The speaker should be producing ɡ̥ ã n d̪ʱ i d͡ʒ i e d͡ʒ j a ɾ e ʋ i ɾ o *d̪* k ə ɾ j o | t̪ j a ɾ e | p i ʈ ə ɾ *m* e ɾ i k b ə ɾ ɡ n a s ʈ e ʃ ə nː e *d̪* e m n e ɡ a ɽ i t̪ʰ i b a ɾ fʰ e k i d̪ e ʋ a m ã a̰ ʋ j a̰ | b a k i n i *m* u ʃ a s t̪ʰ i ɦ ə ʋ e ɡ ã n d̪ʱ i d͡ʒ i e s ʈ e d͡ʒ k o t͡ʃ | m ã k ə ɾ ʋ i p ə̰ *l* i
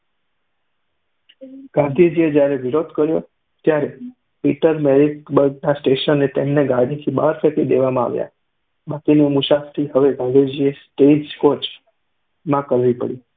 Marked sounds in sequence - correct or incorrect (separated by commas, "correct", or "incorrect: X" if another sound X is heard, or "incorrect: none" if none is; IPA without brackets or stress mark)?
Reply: correct, correct, incorrect: t̪, correct, incorrect: ɽ